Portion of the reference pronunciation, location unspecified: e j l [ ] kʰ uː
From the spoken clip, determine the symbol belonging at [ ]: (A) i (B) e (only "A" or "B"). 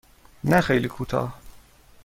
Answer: A